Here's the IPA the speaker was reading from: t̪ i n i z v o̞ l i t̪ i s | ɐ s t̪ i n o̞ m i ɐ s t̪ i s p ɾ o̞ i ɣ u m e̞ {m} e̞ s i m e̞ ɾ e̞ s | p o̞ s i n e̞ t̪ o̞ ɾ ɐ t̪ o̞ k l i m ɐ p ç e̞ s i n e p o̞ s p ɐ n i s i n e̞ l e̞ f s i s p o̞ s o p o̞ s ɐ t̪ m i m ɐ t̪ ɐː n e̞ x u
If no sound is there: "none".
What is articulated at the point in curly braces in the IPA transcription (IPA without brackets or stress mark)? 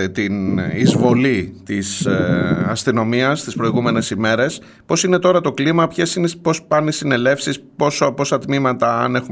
n